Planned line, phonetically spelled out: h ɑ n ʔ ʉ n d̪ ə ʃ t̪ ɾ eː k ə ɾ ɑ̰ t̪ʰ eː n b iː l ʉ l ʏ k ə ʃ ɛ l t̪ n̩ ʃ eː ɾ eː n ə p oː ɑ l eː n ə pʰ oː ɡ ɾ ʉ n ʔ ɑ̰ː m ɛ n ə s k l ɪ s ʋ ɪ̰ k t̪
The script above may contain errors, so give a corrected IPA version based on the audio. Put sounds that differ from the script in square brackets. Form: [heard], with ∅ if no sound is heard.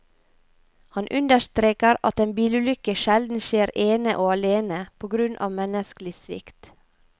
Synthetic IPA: h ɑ n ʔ ʉ n d̪ ə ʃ t̪ ɾ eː k ə ɾ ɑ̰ [t̪] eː n b iː l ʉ l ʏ k ə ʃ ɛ l [d̪] n̩ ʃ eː ɾ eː n ə [ʔ] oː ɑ l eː n ə pʰ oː ɡ ɾ ʉ n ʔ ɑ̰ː m ɛ n ə s k l ɪ s ʋ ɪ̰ k t̪